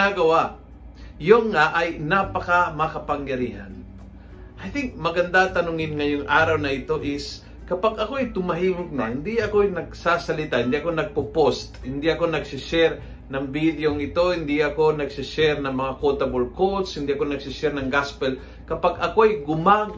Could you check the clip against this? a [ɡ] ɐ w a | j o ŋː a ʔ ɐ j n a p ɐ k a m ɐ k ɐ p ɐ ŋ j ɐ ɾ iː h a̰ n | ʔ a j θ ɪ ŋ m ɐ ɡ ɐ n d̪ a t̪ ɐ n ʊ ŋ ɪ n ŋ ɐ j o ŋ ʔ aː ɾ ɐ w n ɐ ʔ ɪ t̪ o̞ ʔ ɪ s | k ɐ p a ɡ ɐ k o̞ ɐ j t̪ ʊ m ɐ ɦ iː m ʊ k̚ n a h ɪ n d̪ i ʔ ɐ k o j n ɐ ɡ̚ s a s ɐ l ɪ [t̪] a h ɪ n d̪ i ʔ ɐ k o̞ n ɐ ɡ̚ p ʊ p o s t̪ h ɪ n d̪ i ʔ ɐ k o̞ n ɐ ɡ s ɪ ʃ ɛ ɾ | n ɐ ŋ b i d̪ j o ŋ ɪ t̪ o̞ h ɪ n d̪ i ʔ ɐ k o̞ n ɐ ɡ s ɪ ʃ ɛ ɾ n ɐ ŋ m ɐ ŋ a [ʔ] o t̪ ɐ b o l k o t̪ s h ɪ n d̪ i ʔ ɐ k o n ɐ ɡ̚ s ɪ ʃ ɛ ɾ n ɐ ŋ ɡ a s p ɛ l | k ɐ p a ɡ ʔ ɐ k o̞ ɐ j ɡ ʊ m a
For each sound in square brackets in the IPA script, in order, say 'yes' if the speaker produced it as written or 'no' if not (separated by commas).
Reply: yes, yes, no